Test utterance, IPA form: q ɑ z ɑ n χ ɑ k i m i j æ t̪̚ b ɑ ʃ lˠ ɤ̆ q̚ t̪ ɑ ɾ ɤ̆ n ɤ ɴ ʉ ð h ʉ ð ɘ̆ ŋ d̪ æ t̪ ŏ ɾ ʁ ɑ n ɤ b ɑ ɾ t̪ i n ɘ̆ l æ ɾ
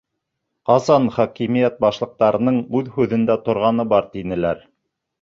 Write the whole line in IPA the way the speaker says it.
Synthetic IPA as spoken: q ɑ z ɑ n χ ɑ k i m i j æ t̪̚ b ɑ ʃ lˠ ɤ̆ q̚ t̪ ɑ ɾ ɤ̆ n ɤ ɴ ʉ ð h ʉ ð ɘ̆ n d̪ æ t̪ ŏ ɾ ʁ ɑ n ɤ b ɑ ɾ t̪ i n ɘ̆ l æ ɾ